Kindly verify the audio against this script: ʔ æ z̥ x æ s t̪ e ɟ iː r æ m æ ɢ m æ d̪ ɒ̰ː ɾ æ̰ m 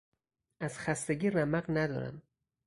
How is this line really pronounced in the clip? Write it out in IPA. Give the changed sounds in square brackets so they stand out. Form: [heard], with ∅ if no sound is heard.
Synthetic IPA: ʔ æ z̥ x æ s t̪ e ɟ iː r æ m æ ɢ [n] æ d̪ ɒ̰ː ɾ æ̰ m